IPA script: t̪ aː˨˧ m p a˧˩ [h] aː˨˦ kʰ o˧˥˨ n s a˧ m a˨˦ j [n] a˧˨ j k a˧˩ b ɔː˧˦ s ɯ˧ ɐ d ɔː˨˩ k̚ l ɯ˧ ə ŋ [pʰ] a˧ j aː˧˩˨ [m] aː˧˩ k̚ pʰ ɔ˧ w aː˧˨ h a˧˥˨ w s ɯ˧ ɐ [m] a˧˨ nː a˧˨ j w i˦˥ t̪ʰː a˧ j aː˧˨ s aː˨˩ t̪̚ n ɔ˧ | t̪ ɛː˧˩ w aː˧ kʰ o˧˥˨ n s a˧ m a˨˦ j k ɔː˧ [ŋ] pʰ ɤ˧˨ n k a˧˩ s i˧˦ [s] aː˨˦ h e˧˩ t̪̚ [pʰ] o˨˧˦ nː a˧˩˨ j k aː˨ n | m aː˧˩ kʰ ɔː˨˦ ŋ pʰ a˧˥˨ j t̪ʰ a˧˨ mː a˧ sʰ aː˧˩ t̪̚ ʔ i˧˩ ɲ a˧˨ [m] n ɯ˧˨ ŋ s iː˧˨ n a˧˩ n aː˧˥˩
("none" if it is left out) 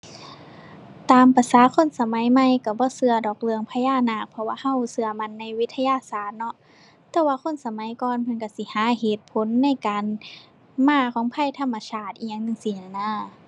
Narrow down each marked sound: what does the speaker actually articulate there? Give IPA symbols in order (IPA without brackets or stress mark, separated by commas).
s, m, pʰ, n, m, n, h, pʰ, ŋ